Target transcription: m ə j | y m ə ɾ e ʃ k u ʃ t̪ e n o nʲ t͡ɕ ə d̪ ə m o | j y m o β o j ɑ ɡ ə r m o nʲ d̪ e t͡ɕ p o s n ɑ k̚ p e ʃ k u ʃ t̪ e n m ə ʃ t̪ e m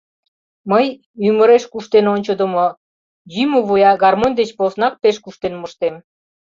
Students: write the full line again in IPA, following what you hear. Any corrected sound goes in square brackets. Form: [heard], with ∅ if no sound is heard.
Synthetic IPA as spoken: m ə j | y m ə ɾ e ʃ k u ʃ t̪ e n o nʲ t͡ɕ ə d̪ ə m o | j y m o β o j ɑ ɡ [ɑ] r m o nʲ d̪ e t͡ɕ p o s n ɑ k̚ p e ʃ k u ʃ t̪ e n m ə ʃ t̪ e m